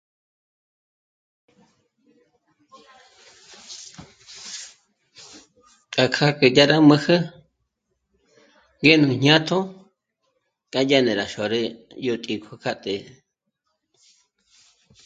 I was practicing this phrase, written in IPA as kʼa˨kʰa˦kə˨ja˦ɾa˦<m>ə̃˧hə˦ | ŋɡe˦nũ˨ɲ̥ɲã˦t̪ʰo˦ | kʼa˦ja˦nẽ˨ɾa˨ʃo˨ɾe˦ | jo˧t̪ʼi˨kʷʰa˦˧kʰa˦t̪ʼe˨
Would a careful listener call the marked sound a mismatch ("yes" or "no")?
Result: no